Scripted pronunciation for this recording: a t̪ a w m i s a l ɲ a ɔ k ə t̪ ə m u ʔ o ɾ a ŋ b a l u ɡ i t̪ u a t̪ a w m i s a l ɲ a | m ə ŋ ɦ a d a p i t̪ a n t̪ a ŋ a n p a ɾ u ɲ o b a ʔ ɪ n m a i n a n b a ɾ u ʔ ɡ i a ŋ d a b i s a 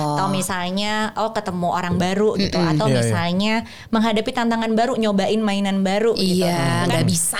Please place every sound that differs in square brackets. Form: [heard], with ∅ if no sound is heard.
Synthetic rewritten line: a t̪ a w m i s a l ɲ a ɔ k ə t̪ ə m u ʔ o ɾ a ŋ b a [ɾ] u ɡ i t̪ u a t̪ a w m i s a l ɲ a | m ə ŋ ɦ a d a p i t̪ a n t̪ a ŋ a n [b] a ɾ u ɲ o b a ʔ ɪ n m a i n a n b a ɾ u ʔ ɡ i a ŋ [ɡ] a b i s a